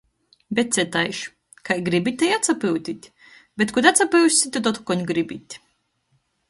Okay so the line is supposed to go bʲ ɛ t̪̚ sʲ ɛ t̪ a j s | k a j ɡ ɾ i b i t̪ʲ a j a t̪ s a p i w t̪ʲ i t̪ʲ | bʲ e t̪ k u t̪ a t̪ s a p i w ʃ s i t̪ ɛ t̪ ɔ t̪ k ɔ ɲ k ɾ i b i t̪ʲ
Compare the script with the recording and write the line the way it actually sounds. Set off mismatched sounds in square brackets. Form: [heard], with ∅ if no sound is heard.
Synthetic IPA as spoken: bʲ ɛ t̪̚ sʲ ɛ t̪ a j [ʃ] | k a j ɡ ɾ i b i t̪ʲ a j a t̪ s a p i w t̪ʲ i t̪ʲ | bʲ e t̪ k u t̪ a t̪ s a p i w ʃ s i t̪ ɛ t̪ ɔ t̪ k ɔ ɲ [ɡ] ɾ i b i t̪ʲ